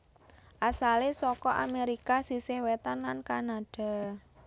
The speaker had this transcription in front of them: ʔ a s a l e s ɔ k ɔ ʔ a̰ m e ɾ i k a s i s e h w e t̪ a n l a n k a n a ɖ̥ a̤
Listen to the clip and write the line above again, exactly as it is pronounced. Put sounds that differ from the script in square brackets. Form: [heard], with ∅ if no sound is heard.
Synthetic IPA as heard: ʔ a s a l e s ɔ k ɔ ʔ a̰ m e ɾ i k a s i s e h w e t̪ a n l a n k a n a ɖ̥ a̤

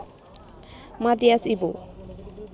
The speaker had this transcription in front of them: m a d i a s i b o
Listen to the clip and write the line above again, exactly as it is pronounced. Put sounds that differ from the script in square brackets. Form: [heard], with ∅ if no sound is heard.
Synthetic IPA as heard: m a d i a s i b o

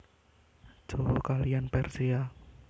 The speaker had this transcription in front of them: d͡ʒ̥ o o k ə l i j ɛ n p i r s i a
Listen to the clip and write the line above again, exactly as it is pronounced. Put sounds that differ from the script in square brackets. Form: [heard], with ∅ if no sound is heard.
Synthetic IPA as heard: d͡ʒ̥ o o k [a] l i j [a] n p [ɛ] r s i a

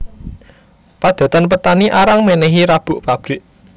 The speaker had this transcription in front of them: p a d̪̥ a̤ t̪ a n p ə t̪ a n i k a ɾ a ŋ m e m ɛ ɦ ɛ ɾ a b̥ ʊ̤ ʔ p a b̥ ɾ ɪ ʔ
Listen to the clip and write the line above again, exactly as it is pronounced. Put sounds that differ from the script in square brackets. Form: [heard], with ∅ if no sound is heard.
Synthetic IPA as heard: p a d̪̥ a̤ t̪ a n p ə t̪ a n i [ʔ] a ɾ a ŋ m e [n] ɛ ɦ [i] ɾ a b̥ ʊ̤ ʔ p a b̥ ɾ ɪ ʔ

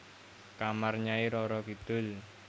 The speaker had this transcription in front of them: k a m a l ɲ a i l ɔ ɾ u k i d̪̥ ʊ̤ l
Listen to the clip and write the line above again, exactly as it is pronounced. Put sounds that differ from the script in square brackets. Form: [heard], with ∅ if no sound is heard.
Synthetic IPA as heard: k a m a [r] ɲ a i [ɾ] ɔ ɾ [ɔ] k i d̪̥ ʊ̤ l

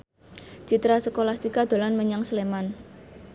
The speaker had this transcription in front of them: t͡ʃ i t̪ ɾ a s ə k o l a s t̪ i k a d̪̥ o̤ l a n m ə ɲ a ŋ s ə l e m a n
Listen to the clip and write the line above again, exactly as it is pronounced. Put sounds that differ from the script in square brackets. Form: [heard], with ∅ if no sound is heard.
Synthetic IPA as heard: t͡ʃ i t̪ ɾ a s ə k o l a s t̪ i k a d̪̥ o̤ l a n m ə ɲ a ŋ s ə l e m a n

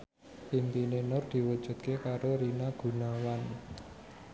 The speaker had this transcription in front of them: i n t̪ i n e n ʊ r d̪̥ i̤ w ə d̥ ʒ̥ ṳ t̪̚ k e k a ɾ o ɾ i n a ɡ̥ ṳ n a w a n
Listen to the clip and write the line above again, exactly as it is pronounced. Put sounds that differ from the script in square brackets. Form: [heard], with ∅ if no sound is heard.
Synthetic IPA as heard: i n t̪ i n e n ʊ r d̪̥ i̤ w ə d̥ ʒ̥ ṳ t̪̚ k e k a ɾ o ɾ i n a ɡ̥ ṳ n a w a n

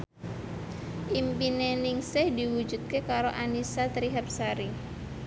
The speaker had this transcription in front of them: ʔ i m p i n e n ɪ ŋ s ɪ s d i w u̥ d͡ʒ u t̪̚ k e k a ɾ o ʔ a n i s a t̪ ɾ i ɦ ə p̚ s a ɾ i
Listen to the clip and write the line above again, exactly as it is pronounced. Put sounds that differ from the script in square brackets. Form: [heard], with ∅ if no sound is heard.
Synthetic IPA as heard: ʔ i m p i n e n ɪ ŋ s ɪ [h] d i w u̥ d͡ʒ u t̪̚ k e k a ɾ o ʔ a n i s a t̪ ɾ i ɦ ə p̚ s a ɾ i

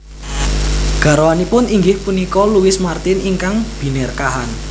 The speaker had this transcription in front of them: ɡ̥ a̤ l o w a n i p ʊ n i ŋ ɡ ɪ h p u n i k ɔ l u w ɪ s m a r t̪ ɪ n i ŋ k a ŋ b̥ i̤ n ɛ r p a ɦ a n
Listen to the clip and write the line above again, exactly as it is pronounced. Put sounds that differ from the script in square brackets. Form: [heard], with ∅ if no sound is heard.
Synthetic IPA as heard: ɡ̥ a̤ [ɾ] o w a n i p ʊ n i ŋ ɡ ɪ h p u n i k ɔ l u w ɪ s m a r t̪ ɪ n i ŋ k a ŋ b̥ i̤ n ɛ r [k] a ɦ a n

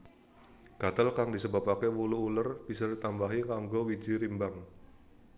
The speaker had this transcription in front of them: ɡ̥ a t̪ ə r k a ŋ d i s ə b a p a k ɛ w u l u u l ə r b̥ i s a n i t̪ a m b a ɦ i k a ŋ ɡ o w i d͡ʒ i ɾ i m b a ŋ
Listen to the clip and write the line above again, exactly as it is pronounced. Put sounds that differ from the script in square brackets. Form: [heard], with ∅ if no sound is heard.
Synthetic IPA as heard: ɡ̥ a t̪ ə [l] k a ŋ d i s ə b a p a k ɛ w u l u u l ə r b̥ i s a [d] i t̪ a m b a ɦ i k a ŋ ɡ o w i d͡ʒ i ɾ i m b a ŋ

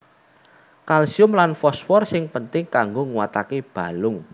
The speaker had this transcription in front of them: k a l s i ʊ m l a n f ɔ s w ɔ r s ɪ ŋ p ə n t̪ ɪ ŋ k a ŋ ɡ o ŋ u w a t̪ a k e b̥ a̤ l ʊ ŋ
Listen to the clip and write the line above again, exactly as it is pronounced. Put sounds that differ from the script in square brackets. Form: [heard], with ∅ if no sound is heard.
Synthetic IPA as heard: k a l s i ʊ m l a n f ɔ s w ɔ r s ɪ ŋ p ə n t̪ ɪ ŋ k a ŋ ɡ o ŋ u w a t̪ a k e b̥ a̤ l ʊ ŋ

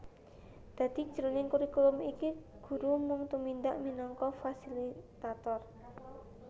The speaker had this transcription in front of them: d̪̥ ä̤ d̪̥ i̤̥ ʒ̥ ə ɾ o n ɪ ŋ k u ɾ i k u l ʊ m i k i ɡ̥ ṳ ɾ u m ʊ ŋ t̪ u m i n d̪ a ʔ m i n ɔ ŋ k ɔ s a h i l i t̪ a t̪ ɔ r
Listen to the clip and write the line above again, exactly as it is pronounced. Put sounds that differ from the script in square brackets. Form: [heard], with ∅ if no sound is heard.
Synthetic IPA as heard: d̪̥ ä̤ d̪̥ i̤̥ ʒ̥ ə ɾ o n ɪ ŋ k u ɾ i k u l ʊ m i k i ɡ̥ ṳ ɾ u m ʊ ŋ t̪ u m i n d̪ a ʔ m i n ɔ ŋ k ɔ [f] a [s] i l i t̪ a t̪ ɔ r

